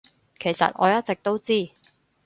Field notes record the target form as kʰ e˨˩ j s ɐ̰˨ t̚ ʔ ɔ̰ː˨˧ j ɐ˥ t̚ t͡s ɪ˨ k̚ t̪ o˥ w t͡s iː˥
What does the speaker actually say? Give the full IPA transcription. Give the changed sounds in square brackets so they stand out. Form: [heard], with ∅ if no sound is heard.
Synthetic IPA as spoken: kʰ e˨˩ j s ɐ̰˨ t̚ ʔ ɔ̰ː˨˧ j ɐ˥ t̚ t͡s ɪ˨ k̚ t̪ o˥ w t͡s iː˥